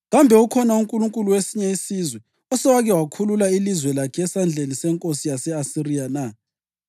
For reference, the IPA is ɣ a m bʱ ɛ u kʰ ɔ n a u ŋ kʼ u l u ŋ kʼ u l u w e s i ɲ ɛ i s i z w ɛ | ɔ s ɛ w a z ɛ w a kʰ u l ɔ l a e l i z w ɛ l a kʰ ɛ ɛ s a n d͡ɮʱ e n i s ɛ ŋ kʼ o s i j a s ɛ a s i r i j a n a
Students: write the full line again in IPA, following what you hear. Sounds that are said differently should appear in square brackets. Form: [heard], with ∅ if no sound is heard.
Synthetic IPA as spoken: ɣ a m bʱ ɛ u kʰ ɔ n a u ŋ kʼ u l u ŋ kʼ u l u w e s i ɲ ɛ i s i z w ɛ | ɔ s ɛ w a [ɣ] ɛ w a kʰ u l [u] l a [i] l i z w ɛ l a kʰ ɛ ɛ s a n d͡ɮʱ e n i s ɛ ŋ kʼ o s i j a s ɛ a s i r i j a n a